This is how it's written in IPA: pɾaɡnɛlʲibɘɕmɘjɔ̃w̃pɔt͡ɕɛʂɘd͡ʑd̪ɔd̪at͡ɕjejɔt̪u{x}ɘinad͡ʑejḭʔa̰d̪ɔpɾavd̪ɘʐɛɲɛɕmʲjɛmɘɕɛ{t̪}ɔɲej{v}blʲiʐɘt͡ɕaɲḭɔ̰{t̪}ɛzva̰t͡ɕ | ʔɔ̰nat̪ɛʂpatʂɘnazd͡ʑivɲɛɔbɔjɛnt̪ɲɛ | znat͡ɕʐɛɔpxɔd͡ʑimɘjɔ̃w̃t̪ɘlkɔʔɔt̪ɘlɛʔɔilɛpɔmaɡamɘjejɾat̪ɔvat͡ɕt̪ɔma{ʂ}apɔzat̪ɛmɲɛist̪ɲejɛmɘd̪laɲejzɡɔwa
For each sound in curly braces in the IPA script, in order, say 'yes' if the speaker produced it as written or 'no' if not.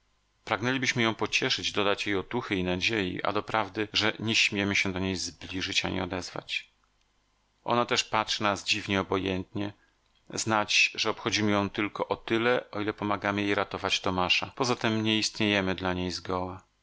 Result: yes, no, no, no, yes

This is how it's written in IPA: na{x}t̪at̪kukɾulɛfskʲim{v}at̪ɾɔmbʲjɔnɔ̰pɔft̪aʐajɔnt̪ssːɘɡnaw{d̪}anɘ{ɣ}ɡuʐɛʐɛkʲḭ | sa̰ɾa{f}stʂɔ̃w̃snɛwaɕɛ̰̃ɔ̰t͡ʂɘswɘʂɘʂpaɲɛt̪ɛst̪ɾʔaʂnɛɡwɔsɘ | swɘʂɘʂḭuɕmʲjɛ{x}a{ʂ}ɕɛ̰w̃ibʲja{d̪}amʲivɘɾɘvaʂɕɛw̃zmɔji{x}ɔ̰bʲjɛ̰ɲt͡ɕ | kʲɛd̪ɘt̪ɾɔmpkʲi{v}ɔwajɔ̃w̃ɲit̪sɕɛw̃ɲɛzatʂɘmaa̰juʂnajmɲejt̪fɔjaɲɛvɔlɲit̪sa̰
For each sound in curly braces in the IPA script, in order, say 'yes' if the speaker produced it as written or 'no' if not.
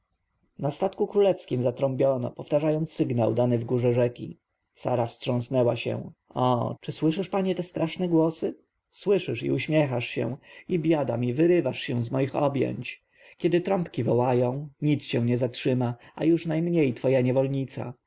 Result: no, no, yes, no, yes, yes, yes, yes, yes, yes

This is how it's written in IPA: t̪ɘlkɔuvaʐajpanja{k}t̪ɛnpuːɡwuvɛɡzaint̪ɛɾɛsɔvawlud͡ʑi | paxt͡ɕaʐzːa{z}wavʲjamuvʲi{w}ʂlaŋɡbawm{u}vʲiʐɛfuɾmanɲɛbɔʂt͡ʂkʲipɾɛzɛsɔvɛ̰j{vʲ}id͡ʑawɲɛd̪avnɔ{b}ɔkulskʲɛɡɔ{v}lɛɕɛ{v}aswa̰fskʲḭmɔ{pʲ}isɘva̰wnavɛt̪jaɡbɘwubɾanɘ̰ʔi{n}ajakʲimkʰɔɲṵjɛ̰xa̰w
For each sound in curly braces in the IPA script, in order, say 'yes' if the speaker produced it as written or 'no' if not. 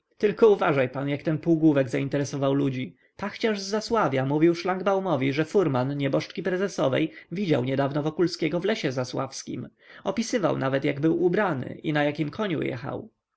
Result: yes, no, yes, no, yes, no, yes, no, yes, yes

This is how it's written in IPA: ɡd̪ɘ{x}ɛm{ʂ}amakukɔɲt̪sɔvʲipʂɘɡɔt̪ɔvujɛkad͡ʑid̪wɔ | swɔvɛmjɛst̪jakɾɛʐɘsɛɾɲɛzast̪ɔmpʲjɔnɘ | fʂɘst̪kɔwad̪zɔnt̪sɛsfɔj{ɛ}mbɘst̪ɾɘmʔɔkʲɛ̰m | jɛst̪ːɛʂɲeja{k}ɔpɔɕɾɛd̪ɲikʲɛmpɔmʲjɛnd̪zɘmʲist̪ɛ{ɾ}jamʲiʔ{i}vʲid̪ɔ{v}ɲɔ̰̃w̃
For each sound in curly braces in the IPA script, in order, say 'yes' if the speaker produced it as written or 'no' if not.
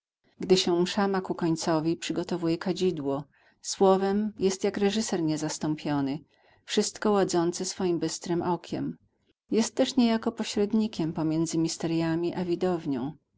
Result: no, yes, no, yes, yes, no, yes

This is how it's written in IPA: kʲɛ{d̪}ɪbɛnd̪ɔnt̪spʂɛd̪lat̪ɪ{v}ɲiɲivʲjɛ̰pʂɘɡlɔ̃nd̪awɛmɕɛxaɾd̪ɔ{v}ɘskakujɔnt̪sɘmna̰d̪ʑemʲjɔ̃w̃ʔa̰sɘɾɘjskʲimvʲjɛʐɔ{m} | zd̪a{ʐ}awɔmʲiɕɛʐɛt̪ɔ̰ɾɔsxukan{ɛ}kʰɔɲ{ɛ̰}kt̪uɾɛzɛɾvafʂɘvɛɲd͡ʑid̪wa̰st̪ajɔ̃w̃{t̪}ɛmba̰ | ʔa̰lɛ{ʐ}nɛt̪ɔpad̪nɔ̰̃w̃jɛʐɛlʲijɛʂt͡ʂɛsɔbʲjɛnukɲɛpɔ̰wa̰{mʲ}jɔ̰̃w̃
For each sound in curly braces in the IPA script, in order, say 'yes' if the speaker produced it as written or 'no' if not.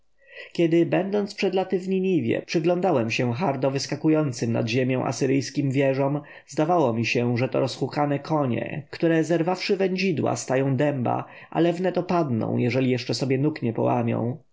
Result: yes, yes, yes, yes, no, yes, yes, no, no, yes

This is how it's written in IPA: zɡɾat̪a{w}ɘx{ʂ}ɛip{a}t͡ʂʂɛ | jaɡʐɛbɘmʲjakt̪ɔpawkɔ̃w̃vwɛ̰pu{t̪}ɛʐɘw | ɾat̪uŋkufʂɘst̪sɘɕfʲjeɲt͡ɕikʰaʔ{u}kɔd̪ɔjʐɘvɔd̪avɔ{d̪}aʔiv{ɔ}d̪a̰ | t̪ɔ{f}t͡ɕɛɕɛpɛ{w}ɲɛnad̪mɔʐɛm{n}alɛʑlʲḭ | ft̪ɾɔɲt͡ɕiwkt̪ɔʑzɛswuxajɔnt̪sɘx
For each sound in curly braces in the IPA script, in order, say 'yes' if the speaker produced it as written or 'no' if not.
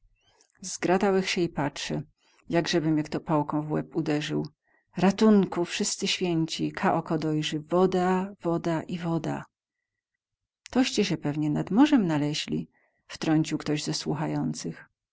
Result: yes, no, yes, no, no, yes, yes, no, no, yes

